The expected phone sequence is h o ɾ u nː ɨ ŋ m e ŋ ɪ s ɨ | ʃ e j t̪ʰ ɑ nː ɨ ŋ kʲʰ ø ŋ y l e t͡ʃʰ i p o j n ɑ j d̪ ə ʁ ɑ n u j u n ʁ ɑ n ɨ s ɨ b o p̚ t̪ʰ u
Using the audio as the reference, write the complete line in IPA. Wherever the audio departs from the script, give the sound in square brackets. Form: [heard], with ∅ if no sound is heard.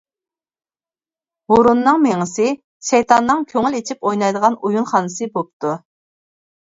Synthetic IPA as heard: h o ɾ u nː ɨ ŋ m e ŋ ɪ s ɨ | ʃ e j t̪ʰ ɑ nː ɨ ŋ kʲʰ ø ŋ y l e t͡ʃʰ i p o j n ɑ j d̪ ə ʁ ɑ n u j u n [χ] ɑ n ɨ s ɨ b o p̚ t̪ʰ u